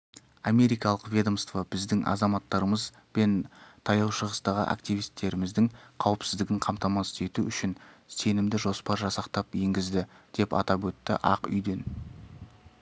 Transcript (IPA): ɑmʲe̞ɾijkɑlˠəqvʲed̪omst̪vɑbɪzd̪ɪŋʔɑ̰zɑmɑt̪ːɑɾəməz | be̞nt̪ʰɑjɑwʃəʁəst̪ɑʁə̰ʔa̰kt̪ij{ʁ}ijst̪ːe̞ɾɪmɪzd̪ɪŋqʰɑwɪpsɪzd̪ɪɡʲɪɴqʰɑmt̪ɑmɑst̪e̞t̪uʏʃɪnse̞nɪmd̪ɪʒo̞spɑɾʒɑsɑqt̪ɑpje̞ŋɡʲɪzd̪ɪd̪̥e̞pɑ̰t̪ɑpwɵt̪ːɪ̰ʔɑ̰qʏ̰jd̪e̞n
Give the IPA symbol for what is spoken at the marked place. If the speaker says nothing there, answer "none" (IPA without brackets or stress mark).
v